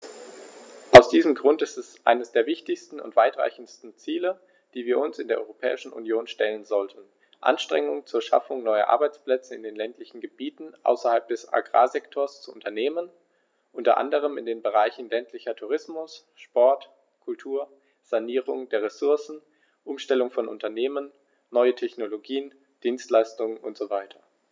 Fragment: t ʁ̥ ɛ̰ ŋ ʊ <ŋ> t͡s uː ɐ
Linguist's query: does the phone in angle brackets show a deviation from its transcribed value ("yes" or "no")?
no